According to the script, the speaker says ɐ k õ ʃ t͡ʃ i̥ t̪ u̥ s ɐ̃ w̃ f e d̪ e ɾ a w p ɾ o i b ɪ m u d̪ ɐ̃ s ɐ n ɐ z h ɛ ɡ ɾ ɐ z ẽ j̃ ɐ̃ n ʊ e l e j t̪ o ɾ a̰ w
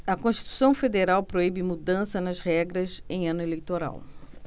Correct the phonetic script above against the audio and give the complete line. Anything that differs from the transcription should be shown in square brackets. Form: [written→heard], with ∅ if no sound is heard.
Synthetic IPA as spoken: ɐ k õ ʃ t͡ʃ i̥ t̪ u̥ s ɐ̃ w̃ f e d̪ e ɾ a w p ɾ o i b ɪ m u d̪ ɐ̃ s ɐ n ɐ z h ɛ ɡ ɾ ɐ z ẽ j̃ ɐ̃ n ʊ e l e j t̪ o ɾ a̰ w